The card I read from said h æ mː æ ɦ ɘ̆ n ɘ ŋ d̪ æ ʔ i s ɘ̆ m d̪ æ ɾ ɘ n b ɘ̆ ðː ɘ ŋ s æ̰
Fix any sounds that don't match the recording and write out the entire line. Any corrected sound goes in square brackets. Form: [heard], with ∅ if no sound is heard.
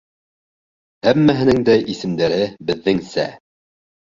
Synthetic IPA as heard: h æ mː æ ɦ ɘ̆ n ɘ ŋ d̪ æ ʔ i s ɘ̆ m d̪ æ ɾ ɘ [∅] b ɘ̆ ðː ɘ ŋ s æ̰